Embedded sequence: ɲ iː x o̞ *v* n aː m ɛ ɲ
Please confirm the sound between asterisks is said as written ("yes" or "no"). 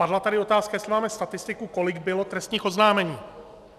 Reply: no